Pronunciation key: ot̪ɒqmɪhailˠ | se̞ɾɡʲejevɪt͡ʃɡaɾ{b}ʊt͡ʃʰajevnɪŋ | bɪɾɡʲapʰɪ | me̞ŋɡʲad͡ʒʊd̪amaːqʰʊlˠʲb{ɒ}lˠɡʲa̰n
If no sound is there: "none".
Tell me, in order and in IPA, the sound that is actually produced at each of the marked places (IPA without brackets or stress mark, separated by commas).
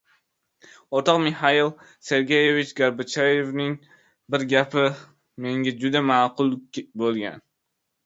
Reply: b, o